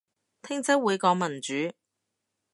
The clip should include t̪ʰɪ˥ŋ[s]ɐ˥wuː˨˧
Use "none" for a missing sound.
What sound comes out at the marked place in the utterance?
t͡s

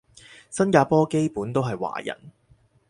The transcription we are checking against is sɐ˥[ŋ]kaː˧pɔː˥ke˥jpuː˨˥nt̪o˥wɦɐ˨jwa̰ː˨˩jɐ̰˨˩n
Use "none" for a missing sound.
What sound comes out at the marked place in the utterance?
n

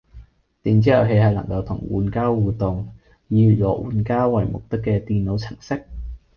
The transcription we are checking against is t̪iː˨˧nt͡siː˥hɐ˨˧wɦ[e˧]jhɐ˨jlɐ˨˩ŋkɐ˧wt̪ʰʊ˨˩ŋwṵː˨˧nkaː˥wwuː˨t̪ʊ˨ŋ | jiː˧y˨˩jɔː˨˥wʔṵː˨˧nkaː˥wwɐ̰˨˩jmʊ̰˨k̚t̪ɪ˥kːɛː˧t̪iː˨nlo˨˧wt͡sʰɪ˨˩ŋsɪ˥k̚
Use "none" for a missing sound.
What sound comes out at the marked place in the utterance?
e˧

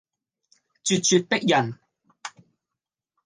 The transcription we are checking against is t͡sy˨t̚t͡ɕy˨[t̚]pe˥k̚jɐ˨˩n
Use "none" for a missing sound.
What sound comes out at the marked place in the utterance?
t̚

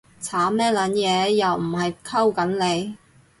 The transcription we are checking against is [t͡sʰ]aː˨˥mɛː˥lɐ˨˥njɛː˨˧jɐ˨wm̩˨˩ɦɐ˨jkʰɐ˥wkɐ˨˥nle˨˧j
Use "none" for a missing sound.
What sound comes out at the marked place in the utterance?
t͡sʰ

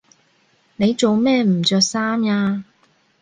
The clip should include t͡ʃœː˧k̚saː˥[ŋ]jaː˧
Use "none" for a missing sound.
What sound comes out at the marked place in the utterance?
m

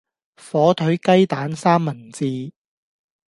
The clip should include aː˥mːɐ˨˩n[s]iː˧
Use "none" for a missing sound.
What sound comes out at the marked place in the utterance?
t͡s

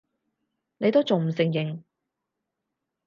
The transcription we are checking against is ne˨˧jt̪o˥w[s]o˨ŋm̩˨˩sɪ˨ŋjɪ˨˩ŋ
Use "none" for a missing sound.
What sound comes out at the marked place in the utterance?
t͡s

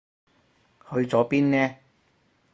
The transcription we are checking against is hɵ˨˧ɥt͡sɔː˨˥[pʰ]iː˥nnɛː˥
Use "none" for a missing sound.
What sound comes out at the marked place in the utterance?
p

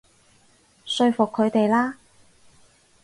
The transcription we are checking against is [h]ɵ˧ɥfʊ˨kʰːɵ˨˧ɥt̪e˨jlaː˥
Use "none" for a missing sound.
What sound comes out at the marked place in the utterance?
s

